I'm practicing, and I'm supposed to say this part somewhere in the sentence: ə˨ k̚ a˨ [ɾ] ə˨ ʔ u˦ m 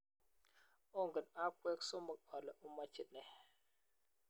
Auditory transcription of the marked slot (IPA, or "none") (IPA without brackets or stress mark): l